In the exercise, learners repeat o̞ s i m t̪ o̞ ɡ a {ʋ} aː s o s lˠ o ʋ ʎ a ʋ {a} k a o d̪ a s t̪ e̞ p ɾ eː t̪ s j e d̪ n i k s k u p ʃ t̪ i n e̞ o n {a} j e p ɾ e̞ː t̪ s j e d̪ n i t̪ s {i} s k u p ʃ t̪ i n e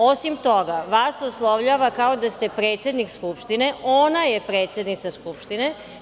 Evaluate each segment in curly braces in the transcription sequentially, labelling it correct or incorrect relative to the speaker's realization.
correct, correct, correct, incorrect

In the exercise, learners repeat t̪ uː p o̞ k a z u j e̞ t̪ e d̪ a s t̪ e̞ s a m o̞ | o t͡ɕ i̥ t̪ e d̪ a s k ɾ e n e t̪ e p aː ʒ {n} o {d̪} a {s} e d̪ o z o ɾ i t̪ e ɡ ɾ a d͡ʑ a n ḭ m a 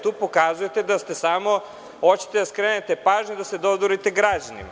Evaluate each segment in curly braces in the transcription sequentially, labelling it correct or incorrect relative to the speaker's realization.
incorrect, correct, correct

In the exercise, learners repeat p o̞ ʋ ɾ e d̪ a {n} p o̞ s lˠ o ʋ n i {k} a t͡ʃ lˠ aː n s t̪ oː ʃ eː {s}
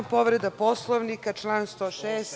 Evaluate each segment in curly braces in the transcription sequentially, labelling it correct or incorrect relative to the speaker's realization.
incorrect, correct, correct

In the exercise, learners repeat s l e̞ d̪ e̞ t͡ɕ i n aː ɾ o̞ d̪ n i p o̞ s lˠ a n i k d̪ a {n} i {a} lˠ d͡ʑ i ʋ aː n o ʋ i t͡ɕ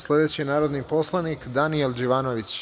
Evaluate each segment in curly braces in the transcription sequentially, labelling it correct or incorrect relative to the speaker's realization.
correct, incorrect

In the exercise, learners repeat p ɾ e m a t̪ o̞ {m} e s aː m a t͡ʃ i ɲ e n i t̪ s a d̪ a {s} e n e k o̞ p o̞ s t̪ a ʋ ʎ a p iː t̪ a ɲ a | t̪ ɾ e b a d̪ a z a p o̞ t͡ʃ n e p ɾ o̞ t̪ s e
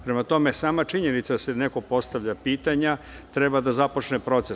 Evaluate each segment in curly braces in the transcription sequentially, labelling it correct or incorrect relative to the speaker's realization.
correct, correct

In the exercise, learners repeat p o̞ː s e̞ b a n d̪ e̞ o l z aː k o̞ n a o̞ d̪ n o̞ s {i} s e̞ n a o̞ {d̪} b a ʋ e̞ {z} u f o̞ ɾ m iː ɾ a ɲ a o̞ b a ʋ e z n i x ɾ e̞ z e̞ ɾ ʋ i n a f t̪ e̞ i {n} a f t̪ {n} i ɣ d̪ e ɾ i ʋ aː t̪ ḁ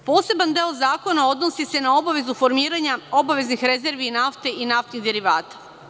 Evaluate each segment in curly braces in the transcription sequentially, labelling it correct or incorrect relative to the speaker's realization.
correct, incorrect, correct, correct, correct

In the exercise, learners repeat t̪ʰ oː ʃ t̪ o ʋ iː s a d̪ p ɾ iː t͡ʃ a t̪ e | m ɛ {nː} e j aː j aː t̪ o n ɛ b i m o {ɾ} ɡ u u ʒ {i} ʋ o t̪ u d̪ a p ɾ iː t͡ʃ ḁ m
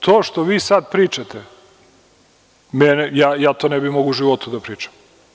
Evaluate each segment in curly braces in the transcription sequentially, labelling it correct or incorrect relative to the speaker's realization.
incorrect, incorrect, correct

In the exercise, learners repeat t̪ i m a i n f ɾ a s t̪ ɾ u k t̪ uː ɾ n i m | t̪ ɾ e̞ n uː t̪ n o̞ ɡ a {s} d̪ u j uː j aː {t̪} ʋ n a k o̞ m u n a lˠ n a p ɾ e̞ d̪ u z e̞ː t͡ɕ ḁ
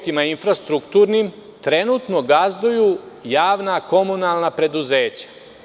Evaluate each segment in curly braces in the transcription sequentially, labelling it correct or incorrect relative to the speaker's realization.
incorrect, incorrect

